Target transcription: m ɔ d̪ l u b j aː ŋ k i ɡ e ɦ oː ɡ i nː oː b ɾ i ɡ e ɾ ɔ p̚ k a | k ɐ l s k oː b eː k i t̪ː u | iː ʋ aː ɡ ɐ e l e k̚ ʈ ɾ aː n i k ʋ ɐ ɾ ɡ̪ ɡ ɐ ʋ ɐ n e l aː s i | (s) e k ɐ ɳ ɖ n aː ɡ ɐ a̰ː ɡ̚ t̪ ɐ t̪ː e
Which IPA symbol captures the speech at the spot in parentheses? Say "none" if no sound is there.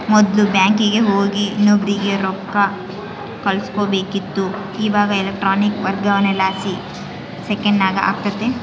s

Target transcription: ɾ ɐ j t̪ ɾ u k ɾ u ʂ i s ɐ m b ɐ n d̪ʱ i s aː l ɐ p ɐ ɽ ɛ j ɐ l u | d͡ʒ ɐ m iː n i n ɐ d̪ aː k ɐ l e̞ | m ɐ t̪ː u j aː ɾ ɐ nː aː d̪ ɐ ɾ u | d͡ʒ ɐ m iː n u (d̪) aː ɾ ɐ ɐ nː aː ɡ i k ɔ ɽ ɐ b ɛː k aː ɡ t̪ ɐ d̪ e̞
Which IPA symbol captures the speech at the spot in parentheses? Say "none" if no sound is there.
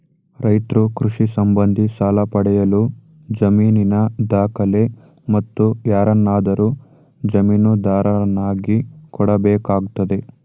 d̪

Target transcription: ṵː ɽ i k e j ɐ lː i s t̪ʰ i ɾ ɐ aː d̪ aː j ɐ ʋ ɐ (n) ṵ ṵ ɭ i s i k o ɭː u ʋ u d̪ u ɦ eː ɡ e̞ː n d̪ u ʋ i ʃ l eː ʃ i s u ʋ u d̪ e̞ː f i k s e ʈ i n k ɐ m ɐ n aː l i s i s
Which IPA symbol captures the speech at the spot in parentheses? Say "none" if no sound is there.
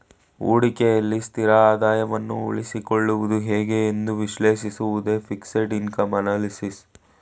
nː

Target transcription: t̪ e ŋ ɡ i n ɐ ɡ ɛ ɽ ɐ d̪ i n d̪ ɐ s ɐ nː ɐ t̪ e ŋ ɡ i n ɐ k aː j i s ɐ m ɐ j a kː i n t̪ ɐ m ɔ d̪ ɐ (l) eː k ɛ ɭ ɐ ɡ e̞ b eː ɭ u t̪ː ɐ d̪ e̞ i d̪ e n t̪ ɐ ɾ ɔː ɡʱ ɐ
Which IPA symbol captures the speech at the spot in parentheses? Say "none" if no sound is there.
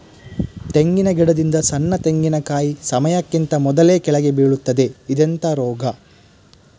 l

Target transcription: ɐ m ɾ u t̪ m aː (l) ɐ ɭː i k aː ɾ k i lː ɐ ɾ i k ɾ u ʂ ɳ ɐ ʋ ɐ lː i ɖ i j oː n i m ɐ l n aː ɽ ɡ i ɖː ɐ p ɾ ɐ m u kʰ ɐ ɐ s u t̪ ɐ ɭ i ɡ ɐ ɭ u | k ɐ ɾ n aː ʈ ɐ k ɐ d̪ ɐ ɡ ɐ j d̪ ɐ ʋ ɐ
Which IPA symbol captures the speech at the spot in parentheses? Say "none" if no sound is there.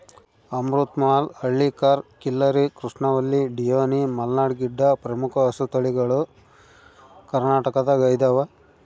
l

